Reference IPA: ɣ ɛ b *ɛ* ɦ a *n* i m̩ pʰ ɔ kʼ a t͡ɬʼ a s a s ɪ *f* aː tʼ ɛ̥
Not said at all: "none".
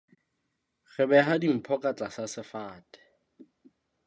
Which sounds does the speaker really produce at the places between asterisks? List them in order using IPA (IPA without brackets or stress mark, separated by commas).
ɛ, d, f